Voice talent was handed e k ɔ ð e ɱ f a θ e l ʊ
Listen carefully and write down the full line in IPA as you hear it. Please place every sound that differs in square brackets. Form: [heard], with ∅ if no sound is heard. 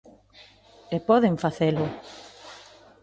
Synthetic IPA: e [p] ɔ ð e ɱ f a θ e l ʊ